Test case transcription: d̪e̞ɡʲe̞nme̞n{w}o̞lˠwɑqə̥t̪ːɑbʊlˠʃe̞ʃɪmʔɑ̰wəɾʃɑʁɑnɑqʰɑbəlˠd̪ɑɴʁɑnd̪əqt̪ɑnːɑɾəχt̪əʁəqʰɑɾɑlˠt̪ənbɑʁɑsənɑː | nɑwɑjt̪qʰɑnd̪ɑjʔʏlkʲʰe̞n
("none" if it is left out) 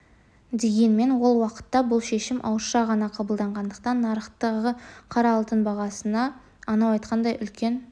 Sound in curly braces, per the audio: w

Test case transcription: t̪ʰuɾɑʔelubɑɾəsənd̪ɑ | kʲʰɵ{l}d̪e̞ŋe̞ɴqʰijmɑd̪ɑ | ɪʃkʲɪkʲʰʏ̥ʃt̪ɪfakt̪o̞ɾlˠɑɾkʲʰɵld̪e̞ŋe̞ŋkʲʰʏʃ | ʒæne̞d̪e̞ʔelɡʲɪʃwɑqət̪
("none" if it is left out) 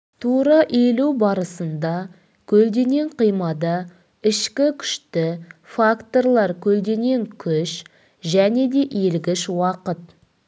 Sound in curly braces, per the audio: l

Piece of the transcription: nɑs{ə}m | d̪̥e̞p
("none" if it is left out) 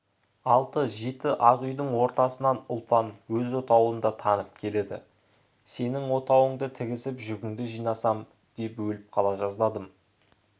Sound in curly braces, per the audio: ɑ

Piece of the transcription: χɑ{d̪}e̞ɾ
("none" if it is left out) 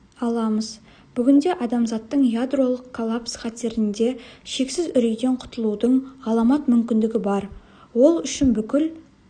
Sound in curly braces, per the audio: t̪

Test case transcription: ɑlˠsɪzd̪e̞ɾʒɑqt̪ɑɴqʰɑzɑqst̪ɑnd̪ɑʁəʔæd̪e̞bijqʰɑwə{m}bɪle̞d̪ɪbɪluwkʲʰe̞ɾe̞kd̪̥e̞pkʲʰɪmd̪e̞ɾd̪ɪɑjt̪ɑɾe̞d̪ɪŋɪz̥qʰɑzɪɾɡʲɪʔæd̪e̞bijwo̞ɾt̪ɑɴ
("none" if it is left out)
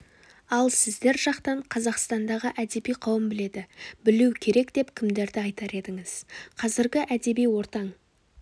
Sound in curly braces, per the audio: m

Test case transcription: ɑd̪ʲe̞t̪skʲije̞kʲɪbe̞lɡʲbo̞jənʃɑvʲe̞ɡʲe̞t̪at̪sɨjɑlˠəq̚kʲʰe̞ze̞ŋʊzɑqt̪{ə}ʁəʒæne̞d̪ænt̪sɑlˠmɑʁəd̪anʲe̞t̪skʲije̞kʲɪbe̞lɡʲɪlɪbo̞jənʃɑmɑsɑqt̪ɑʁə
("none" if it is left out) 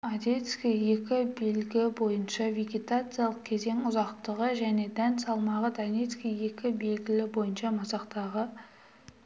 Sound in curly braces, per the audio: ə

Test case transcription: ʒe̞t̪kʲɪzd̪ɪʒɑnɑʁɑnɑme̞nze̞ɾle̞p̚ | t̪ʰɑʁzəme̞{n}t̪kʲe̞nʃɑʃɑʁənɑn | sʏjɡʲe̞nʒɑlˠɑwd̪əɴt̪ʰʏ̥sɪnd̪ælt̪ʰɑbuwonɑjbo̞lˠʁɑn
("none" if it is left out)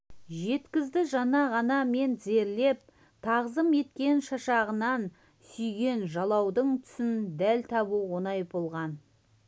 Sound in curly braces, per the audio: none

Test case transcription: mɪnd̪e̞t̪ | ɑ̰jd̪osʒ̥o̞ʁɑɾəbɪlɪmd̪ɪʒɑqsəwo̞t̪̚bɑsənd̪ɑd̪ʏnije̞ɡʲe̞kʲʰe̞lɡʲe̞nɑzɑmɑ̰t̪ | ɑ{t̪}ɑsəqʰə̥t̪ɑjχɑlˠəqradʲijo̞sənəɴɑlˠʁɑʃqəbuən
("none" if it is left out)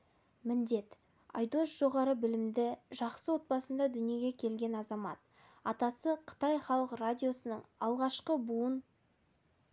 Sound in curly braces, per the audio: t̪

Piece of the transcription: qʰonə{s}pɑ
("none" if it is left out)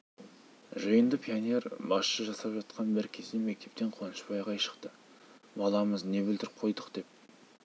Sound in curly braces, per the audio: ʃ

